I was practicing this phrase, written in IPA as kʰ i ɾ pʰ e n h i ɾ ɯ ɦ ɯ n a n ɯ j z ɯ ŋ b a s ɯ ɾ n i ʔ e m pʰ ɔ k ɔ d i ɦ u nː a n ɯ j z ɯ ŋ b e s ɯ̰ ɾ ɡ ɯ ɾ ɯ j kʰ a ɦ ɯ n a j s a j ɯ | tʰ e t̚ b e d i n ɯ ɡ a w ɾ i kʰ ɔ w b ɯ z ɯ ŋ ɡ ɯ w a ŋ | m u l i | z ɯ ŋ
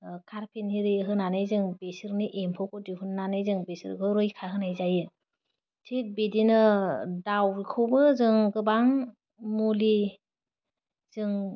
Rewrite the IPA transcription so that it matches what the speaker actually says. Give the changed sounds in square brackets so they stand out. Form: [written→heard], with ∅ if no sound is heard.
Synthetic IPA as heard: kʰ [i→a] ɾ pʰ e n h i ɾ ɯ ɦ ɯ n a n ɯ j z ɯ ŋ b [a→e] s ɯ ɾ n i ʔ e m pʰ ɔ k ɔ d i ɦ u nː a n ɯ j z ɯ ŋ b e s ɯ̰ ɾ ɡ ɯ ɾ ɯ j kʰ a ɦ ɯ n a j [s→z] a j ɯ | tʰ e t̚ b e d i n ɯ [ɡ→d] a w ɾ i kʰ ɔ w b ɯ z ɯ ŋ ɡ ɯ [w→b] a ŋ | m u l i | z ɯ ŋ